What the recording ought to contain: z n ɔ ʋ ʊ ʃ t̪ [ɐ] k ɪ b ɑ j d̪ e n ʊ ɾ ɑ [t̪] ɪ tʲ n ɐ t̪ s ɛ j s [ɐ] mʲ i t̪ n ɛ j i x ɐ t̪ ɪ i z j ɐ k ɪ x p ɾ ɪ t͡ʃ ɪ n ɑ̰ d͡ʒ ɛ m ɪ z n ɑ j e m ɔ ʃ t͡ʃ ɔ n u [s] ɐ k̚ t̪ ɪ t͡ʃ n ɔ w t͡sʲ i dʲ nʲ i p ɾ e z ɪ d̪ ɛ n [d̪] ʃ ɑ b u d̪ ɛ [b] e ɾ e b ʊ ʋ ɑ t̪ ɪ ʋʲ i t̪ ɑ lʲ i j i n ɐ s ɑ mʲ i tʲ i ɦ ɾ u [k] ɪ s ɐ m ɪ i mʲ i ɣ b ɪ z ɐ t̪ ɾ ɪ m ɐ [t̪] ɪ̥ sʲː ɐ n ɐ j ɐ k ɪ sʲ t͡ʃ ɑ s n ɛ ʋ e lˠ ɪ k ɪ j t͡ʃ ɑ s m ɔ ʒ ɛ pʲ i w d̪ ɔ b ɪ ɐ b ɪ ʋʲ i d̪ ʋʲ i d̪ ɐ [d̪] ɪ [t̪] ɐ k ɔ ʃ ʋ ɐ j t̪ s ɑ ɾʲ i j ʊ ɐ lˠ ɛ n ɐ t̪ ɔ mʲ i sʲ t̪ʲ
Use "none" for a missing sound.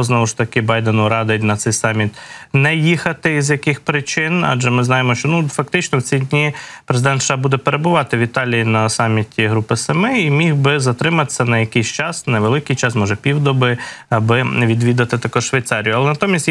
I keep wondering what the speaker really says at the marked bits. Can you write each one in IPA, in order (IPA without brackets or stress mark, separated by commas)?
ɐ, d̪, ɑ, f, t̪, p, p, t̪, t̪, t̪